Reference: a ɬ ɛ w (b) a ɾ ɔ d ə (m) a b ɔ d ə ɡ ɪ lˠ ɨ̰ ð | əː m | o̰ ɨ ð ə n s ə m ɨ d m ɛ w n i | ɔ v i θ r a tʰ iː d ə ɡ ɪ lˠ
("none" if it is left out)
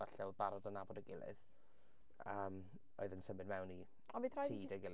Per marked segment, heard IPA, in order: b, n

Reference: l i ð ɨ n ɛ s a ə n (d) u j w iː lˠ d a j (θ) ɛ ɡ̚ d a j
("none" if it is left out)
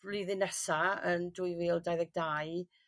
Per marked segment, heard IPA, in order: d, ð

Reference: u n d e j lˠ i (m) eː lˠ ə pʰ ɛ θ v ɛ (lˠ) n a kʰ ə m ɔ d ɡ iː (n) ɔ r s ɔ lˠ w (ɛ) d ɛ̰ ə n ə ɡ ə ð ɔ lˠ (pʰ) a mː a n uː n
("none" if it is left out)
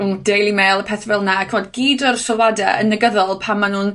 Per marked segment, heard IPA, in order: m, lˠ, d, a, pʰ

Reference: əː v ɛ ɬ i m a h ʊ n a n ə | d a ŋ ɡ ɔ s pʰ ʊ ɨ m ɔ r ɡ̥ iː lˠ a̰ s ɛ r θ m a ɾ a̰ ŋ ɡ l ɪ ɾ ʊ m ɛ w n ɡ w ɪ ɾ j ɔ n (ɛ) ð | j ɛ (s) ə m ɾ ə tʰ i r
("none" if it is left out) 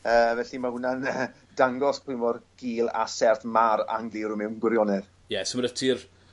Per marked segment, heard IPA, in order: ɛ, s

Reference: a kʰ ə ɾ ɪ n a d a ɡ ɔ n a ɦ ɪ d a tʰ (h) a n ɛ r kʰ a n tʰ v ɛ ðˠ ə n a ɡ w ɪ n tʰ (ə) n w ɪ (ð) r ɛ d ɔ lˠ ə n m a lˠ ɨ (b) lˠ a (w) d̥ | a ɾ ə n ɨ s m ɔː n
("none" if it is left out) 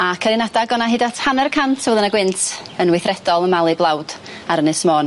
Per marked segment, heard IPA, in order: h, ə, θ, b, w

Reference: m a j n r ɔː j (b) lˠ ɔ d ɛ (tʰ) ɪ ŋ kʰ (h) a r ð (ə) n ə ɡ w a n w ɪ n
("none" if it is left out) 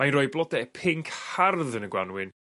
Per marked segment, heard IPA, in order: b, pʰ, h, ə

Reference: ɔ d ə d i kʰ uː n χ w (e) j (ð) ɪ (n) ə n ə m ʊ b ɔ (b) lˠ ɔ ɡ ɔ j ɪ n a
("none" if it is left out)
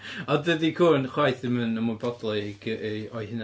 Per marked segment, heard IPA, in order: a, θ, m, d

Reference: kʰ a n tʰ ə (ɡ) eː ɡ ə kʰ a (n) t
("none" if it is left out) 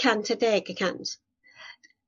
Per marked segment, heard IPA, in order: d, n

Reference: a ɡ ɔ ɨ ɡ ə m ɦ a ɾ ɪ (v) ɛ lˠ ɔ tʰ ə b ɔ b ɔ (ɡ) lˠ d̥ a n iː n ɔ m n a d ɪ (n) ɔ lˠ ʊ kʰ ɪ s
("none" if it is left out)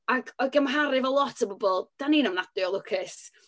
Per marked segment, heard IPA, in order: v, none, none

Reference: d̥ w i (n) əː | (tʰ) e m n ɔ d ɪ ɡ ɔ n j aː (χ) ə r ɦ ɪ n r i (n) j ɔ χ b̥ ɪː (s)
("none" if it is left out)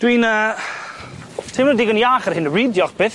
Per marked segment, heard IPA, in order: n, tʰ, χ, d, θ

